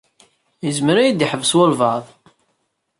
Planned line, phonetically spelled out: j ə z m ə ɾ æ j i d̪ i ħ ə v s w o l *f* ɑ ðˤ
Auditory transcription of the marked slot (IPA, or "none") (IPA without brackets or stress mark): v